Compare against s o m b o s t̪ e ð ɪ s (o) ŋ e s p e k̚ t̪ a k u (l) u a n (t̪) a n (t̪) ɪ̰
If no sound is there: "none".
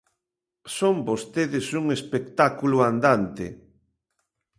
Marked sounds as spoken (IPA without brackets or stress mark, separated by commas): u, l, d̪, t̪